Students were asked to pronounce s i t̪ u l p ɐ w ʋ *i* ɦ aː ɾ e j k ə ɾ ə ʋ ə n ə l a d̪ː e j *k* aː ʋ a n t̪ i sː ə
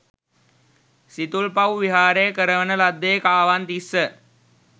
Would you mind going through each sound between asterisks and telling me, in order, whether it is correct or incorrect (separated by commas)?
correct, correct